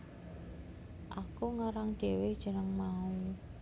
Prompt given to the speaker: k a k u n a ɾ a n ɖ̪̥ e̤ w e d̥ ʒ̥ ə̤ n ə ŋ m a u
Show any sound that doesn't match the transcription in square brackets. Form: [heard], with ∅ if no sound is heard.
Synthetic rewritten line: [ʔ] a k u [ŋ] a ɾ a [ŋ] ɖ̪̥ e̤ w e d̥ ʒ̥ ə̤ n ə ŋ m a u